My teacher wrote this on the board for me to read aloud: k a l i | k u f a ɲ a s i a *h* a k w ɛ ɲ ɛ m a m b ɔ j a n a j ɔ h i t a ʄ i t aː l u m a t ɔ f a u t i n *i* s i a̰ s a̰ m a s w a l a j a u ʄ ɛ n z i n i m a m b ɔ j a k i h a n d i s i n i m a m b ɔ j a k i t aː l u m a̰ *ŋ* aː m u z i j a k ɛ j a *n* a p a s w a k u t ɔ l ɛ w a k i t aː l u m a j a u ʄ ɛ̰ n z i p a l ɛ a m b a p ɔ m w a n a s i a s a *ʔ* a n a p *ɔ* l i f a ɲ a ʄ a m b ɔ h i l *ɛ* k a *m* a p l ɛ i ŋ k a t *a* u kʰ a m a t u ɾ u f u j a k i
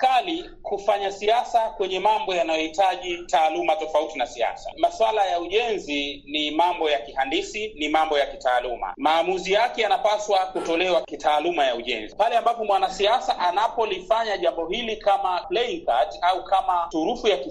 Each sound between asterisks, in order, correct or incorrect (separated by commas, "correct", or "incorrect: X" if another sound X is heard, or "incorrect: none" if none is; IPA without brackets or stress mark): incorrect: s, incorrect: a, incorrect: m, correct, correct, correct, incorrect: i, correct, correct